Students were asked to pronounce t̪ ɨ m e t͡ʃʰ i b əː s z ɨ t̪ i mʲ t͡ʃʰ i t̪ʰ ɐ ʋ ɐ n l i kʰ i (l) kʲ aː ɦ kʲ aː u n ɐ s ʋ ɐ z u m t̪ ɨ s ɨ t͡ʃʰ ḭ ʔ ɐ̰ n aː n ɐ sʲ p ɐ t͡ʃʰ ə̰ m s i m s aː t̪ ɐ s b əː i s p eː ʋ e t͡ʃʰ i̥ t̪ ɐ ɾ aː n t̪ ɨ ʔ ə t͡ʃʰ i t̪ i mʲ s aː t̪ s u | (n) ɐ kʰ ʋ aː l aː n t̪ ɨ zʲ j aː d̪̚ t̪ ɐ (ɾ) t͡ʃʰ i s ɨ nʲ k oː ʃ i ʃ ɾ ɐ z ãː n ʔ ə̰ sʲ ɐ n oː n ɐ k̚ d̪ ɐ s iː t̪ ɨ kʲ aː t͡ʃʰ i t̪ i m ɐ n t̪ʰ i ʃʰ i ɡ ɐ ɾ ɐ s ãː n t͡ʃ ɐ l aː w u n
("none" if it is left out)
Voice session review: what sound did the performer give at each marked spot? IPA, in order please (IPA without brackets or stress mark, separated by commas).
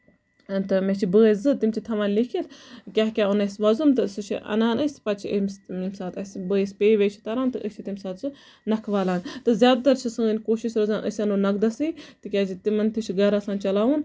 l, n, ɾ